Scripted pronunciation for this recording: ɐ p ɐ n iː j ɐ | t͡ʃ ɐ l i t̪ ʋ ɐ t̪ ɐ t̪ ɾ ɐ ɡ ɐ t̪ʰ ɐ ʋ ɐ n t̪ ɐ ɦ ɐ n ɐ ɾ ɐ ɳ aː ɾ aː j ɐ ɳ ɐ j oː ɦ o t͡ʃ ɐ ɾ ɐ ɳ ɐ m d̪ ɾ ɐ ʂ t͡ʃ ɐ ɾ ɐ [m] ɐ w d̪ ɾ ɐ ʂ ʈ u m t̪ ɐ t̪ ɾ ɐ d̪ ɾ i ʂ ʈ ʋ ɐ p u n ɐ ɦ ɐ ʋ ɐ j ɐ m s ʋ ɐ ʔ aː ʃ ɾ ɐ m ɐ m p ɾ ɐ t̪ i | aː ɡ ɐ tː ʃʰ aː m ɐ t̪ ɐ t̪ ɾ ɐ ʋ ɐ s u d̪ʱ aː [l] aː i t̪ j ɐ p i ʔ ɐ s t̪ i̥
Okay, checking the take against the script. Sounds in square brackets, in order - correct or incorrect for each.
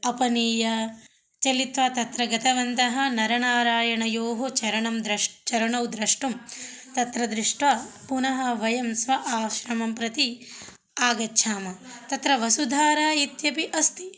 incorrect: ɳ, incorrect: ɾ

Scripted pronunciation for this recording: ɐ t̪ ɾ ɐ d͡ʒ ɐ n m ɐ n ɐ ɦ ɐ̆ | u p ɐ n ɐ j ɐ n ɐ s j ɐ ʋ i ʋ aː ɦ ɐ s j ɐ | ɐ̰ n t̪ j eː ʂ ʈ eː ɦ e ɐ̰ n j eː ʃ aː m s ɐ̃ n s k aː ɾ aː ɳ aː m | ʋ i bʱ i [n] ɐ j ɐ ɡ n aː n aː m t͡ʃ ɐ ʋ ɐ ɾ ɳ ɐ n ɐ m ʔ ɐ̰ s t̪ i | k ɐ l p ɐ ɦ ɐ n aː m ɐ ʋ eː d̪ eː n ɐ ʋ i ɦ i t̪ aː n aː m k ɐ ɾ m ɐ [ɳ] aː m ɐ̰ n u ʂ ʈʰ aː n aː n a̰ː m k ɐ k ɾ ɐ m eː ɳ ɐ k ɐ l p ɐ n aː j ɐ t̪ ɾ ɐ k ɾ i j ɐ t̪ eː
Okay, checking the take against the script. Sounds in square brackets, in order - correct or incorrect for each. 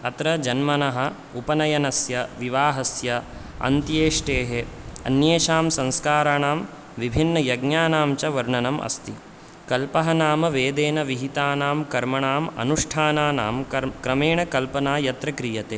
incorrect: nː, correct

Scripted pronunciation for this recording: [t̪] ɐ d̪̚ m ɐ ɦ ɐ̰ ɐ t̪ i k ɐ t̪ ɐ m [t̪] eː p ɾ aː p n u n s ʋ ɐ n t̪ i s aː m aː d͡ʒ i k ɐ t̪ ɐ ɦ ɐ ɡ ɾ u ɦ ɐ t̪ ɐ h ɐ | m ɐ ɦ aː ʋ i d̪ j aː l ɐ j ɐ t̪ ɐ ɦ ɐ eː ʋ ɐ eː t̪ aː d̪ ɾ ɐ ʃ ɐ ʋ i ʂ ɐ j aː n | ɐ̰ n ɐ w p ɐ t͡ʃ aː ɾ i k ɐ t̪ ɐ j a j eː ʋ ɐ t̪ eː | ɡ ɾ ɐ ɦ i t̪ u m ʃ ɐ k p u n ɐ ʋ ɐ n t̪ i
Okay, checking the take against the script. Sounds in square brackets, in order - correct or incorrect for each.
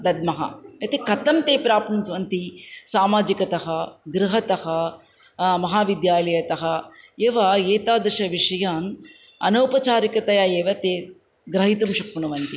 incorrect: d̪, correct

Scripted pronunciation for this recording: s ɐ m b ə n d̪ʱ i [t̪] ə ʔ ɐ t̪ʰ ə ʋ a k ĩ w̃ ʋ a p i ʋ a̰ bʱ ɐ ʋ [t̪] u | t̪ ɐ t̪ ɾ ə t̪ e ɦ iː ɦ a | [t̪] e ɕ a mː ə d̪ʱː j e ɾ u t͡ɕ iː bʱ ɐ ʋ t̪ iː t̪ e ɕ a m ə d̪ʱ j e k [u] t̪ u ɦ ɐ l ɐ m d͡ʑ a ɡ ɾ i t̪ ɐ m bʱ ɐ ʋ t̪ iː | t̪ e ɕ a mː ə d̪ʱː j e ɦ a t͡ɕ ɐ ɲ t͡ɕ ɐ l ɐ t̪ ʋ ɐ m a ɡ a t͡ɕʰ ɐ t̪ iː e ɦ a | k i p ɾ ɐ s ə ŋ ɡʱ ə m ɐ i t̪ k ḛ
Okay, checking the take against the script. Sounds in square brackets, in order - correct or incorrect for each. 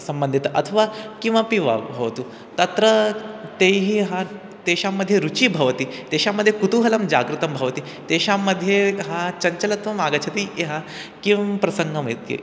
correct, correct, correct, correct

